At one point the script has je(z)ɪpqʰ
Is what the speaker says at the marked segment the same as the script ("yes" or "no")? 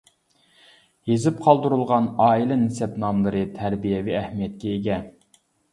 yes